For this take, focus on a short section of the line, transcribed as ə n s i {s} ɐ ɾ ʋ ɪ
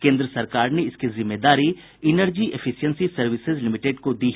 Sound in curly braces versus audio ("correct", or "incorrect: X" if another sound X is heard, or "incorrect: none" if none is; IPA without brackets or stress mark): correct